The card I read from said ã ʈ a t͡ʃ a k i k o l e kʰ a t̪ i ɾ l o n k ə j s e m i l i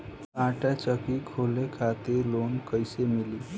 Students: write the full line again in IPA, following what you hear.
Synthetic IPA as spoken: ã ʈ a t͡ʃ ə k i kʰ o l e kʰ a t̪ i ɾ l o n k ə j s e m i l i